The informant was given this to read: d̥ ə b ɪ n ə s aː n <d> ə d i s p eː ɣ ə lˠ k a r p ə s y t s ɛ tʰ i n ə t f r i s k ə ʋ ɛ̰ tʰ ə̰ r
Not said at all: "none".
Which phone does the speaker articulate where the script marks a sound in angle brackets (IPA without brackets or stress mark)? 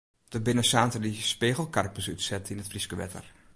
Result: t